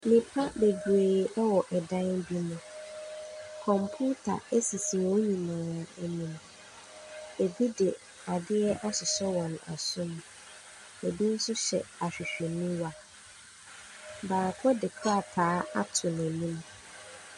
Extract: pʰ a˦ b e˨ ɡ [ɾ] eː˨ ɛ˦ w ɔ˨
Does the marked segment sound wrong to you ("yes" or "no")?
no